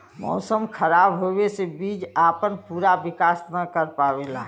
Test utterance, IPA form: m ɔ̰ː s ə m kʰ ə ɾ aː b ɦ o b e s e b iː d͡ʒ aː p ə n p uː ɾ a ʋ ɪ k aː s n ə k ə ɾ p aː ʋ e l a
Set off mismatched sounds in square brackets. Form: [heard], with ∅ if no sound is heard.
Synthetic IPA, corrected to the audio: m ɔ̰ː s ə m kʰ ə ɾ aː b ɦ o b e s e b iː d͡ʒ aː p ə n p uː ɾ a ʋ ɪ k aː s n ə k ə ɾ p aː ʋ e l a

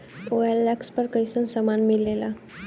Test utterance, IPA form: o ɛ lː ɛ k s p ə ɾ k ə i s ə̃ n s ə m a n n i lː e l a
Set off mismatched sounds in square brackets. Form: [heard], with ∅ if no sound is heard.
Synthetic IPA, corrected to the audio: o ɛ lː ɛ k s p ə ɾ k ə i s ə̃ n s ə m a n [m] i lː e l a

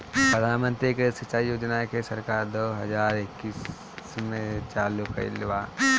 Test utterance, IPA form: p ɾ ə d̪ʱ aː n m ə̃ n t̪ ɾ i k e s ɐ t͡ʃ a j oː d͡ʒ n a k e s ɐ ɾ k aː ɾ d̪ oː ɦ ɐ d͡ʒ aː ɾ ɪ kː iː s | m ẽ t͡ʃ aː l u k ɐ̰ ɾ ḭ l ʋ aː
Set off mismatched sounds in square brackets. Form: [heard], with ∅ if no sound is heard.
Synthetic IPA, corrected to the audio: p ɾ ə d̪ʱ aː n m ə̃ n t̪ ɾ i k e s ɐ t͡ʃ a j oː d͡ʒ n a k e s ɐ ɾ k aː ɾ d̪ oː ɦ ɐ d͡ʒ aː ɾ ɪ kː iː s | m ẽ t͡ʃ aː l u k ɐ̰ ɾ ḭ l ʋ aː

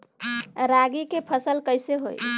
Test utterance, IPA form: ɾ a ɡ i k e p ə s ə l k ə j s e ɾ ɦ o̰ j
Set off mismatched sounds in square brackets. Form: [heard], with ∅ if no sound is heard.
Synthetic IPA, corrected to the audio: ɾ a ɡ i k e [pʰ] ə s ə l k ə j s e [∅] ɦ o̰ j

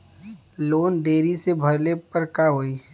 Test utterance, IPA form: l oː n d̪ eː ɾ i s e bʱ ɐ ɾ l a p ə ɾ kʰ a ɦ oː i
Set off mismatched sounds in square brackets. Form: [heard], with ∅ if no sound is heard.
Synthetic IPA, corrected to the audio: l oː n d̪ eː ɾ i s e bʱ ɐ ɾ l [e] p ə ɾ [k] a ɦ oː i

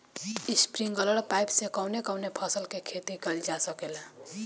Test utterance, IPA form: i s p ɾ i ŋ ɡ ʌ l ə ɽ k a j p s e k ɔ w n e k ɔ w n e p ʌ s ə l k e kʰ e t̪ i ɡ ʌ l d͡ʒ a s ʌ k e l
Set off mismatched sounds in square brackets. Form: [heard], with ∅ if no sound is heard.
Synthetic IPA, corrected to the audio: i s p ɾ i ŋ ɡ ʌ l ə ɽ [p] a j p s e k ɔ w n e k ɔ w n e [pʰ] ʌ s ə l k e kʰ e t̪ i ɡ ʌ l d͡ʒ a s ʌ k e l

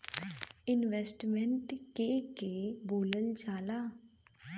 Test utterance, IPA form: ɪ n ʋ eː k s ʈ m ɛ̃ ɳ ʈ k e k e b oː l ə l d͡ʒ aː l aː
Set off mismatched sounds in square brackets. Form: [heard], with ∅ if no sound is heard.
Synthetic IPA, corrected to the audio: ɪ n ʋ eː [∅] s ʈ m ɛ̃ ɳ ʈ k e k e b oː l ə l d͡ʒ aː l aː

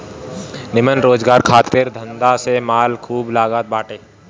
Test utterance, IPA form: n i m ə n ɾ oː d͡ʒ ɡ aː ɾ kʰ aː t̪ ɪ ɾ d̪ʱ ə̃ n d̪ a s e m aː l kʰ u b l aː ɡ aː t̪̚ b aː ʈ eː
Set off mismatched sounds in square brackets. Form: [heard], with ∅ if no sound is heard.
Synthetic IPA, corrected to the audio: n [ɪ] m ə n ɾ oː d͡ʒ ɡ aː ɾ kʰ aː t̪ ɪ ɾ d̪ʱ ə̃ n d̪ a s e m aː l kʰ [uː] b l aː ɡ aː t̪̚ b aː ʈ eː

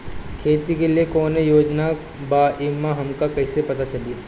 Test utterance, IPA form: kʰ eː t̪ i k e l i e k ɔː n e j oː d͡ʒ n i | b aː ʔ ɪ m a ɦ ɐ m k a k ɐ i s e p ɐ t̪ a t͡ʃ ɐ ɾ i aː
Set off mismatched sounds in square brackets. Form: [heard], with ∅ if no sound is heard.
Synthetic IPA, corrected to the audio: kʰ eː t̪ i k e l i e k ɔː n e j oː d͡ʒ n [a] | b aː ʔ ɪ m a ɦ ɐ m k a k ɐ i s e p ɐ t̪ a t͡ʃ ɐ [l] i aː

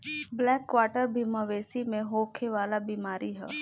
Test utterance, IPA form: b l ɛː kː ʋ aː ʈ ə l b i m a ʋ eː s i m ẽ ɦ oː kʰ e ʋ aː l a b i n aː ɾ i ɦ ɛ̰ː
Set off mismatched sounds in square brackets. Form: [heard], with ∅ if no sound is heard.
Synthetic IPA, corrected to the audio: b l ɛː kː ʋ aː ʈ ə [ɾ] b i m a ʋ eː s i m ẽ ɦ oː kʰ e ʋ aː l a b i [m] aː ɾ i ɦ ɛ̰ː

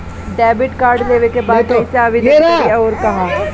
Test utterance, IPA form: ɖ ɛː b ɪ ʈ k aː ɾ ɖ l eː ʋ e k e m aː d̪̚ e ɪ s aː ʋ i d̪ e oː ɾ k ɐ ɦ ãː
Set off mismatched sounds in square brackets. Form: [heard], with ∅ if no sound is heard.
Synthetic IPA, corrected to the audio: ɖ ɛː b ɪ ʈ k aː ɾ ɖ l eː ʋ e k e [b] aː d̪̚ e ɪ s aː ʋ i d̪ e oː ɾ k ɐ ɦ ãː

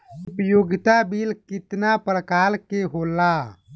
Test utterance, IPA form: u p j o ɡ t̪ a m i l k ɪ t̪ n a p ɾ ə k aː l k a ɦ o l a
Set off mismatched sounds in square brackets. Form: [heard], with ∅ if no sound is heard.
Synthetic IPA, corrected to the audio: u p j o ɡ t̪ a [b] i l k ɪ t̪ n a p ɾ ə k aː l k [e] ɦ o l a

